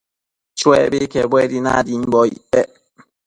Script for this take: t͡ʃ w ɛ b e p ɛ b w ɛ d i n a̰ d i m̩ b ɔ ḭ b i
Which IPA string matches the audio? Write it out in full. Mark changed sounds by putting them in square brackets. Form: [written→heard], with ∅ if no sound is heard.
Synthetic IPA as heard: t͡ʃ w ɛ b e [p→k] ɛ b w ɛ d i n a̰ d i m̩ b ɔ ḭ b [i→ɛ]